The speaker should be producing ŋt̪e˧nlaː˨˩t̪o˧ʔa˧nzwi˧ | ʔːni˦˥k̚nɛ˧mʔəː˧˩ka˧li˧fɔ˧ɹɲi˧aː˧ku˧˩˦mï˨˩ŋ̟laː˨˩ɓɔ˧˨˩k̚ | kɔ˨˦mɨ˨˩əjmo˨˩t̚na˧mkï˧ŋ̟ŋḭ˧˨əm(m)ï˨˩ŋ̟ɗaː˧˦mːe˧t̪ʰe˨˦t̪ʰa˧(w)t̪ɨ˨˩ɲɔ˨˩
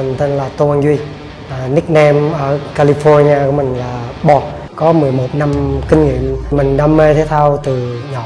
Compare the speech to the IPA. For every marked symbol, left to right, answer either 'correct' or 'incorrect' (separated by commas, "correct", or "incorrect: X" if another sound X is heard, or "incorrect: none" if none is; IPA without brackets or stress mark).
correct, correct